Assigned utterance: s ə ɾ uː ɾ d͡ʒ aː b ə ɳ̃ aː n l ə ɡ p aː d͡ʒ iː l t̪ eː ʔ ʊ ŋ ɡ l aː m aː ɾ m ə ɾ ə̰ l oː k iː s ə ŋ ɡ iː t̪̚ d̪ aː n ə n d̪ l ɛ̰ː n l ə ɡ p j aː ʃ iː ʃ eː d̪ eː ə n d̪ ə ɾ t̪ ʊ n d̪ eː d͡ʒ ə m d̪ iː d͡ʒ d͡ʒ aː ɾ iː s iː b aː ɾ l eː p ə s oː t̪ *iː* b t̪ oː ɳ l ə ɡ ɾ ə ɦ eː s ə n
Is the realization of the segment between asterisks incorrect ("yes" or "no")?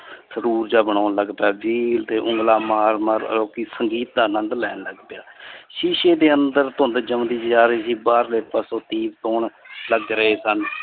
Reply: no